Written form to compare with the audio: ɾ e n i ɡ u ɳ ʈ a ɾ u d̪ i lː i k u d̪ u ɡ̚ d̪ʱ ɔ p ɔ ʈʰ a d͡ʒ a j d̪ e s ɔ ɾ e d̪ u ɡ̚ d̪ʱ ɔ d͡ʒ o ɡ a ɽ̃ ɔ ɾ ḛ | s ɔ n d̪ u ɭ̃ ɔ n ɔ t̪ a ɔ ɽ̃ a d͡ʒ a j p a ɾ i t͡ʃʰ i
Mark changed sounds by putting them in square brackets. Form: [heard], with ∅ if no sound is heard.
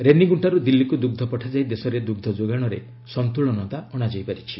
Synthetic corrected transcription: ɾ e n i ɡ u ɳ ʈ a ɾ u d̪ i lː i k u d̪ u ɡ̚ d̪ʱ ɔ p ɔ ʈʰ a d͡ʒ a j d̪ e s ɔ ɾ e d̪ u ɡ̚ d̪ʱ ɔ d͡ʒ o ɡ a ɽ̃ ɔ ɾ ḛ | s ɔ n [t̪] u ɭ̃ ɔ n ɔ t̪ a ɔ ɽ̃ a d͡ʒ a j p a ɾ i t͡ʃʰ i